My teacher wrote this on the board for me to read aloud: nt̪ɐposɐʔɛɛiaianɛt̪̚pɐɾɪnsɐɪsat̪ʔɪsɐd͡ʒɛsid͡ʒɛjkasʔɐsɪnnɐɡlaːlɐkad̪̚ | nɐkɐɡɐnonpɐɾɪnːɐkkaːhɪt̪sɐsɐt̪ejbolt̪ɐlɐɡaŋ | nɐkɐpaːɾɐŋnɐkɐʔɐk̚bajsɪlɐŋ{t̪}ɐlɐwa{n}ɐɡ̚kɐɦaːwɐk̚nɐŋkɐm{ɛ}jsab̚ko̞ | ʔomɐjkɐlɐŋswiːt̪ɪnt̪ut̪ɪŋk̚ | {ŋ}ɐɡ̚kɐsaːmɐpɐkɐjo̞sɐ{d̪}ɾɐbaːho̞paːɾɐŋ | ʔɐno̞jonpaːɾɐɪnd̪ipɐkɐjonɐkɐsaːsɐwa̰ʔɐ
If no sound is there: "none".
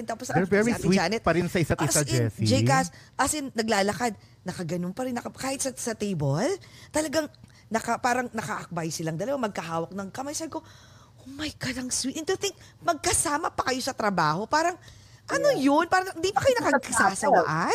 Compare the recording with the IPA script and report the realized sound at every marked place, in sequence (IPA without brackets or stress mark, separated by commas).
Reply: d̪, m, a, m, t̪